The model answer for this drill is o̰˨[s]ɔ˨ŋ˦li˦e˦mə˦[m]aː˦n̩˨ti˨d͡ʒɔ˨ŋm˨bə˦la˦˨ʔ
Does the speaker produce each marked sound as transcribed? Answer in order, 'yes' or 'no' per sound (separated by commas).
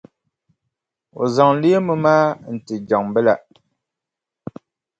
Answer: no, yes